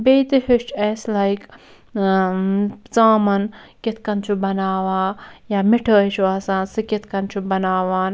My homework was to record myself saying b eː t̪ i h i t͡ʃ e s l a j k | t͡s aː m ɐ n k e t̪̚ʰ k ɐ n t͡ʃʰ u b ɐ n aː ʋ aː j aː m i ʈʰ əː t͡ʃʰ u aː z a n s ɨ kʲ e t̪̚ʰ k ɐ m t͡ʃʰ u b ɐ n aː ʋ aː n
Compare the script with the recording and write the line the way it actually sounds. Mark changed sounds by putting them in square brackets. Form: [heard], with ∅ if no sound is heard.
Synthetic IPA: b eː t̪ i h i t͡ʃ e s l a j k | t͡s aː m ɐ n k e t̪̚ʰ k ɐ n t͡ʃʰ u b ɐ n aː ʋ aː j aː m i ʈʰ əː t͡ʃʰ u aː [s] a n s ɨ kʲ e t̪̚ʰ k ɐ [n] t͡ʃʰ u b ɐ n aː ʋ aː n